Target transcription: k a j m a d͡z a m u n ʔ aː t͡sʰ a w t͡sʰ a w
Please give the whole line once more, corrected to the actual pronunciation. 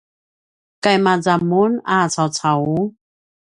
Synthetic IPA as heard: k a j m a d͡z a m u n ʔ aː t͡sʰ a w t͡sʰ a w